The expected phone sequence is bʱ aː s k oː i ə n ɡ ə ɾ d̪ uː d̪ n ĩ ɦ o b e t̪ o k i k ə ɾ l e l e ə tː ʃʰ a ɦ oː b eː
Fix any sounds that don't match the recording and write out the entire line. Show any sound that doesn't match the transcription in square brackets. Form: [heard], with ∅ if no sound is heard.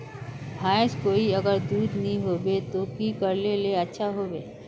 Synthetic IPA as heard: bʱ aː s k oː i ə [∅] ɡ ə ɾ d̪ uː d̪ n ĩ ɦ o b e t̪ o k i k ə ɾ l e l e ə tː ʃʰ a ɦ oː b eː